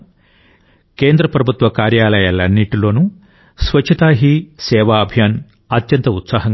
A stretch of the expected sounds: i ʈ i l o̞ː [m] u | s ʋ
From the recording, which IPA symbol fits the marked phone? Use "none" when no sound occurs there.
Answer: n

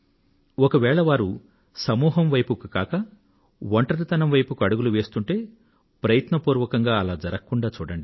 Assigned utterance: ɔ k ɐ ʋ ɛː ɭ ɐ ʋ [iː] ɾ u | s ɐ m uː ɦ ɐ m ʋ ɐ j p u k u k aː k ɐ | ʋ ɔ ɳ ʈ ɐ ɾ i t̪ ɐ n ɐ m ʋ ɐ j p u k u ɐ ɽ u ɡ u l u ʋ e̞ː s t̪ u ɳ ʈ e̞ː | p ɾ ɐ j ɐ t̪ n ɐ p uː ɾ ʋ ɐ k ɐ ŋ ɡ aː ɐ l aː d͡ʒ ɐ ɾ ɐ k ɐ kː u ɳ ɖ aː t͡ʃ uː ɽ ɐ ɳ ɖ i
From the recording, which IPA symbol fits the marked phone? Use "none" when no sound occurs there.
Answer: aː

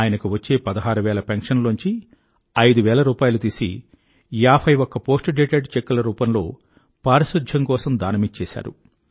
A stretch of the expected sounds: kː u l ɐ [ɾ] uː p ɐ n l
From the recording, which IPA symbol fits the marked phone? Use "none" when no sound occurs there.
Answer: ɾ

